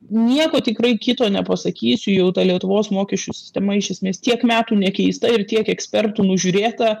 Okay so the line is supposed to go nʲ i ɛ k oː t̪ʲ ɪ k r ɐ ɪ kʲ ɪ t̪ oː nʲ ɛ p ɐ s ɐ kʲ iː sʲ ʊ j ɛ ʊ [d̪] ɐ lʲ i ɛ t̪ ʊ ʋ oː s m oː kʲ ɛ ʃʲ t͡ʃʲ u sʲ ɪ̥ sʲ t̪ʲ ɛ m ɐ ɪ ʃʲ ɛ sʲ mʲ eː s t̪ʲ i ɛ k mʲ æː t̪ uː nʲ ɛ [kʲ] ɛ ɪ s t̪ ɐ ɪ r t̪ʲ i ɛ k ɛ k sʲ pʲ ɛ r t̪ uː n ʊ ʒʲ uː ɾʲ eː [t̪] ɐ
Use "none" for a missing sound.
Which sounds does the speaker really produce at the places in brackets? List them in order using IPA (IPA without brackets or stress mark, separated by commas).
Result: t̪, kʲ, t̪